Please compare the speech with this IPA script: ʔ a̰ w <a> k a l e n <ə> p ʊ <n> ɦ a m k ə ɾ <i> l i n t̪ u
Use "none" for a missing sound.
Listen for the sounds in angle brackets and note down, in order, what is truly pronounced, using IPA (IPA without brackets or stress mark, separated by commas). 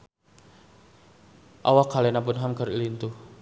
a, a, n, i